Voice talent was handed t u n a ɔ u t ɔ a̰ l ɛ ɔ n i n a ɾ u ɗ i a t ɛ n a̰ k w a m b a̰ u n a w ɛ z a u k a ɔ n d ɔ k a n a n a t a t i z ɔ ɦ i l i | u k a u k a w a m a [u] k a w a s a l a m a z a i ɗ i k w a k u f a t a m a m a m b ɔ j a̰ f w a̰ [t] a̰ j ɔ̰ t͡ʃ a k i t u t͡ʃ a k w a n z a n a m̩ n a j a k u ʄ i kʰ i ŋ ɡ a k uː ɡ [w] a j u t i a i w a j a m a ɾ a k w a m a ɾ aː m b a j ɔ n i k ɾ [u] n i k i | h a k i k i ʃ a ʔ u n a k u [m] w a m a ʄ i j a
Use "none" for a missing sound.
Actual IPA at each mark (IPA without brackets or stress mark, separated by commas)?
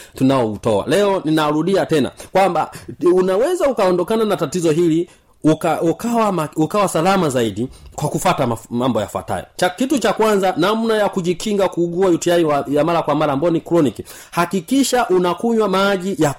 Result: u, t, u, ɔ, ɲ